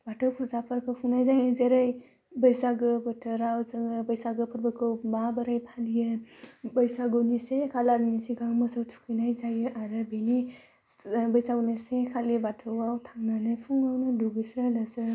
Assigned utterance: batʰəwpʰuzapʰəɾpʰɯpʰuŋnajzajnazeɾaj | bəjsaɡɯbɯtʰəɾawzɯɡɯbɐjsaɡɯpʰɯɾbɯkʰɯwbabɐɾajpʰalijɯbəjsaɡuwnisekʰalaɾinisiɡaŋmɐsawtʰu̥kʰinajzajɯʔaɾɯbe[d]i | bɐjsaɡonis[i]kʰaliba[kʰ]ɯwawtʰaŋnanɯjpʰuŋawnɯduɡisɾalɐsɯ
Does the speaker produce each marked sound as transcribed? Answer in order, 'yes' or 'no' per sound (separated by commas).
no, no, no